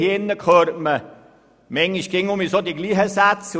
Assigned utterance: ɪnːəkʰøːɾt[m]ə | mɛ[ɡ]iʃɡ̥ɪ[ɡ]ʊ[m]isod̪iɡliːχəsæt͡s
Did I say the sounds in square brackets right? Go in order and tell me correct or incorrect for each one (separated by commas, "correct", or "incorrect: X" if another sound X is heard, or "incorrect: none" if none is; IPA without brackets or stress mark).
correct, incorrect: ŋ, incorrect: ŋ, correct